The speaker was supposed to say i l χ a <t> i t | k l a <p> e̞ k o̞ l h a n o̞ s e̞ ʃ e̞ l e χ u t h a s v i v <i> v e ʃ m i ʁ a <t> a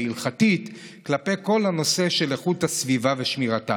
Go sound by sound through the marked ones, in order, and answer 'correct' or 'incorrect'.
correct, correct, incorrect: a, correct

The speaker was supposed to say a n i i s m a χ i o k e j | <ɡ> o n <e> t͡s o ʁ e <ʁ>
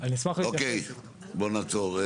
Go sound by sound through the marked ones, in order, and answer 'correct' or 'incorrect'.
incorrect: b, incorrect: a, incorrect: none

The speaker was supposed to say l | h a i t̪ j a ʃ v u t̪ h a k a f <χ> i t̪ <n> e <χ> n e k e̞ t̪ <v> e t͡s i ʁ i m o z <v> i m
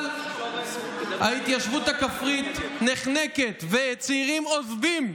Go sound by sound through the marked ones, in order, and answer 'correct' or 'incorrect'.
incorrect: ʁ, correct, correct, correct, correct

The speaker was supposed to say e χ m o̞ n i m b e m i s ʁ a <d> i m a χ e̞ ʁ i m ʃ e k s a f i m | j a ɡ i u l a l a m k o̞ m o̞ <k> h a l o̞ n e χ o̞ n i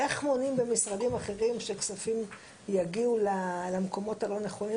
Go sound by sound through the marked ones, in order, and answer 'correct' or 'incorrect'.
correct, incorrect: t

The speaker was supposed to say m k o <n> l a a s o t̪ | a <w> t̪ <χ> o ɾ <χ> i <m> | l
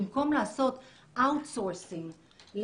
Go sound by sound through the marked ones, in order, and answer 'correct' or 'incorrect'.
incorrect: m, correct, incorrect: s, incorrect: s, incorrect: ŋ

